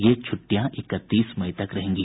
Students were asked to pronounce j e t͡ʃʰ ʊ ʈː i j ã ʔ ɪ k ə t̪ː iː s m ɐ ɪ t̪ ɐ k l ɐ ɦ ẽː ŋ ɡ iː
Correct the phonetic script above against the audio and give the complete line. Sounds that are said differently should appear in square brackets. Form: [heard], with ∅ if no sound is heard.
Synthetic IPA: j e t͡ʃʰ ʊ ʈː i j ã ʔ ɪ k ə t̪ː iː s m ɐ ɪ t̪ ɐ k [ɾ] ɐ ɦ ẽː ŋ ɡ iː